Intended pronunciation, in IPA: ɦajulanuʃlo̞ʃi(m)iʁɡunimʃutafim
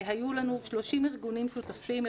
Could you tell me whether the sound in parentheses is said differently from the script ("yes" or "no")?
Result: no